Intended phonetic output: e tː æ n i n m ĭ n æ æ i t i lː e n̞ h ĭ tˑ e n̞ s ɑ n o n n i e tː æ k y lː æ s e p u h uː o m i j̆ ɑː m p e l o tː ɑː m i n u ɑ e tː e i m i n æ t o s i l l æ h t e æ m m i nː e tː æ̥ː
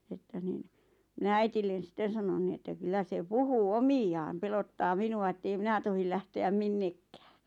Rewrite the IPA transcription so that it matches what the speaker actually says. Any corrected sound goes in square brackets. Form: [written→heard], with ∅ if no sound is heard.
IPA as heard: e tː æ n i n m ĭ n æ æ i t i lː e n̞ [h→s] ĭ tˑ e n̞ s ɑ n o n n i e tː æ k y lː æ s e p u h uː o m i j̆ ɑː m p e l o tː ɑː m i n u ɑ e tː e i m i n æ t o [s→h] i l l æ h t e æ m m i nː e [tː→kː] æ̥ː